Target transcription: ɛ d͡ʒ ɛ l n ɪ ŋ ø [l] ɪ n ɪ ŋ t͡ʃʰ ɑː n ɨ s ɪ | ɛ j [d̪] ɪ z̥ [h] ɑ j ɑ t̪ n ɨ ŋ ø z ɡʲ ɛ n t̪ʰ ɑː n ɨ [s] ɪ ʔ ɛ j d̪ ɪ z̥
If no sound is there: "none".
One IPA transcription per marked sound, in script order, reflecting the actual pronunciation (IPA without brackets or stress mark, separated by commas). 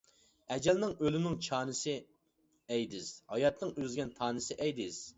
l, d̪, h, s